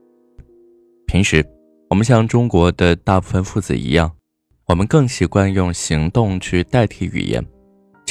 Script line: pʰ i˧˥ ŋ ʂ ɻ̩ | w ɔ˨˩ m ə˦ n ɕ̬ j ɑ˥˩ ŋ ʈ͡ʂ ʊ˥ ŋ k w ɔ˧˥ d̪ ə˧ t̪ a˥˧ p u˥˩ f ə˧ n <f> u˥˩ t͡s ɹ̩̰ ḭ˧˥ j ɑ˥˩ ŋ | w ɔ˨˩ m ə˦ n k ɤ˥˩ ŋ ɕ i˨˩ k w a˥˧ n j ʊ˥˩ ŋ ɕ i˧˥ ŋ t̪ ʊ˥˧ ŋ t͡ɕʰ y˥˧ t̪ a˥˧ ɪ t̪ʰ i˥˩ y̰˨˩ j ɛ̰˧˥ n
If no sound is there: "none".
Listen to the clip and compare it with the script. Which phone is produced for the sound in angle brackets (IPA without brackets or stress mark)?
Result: f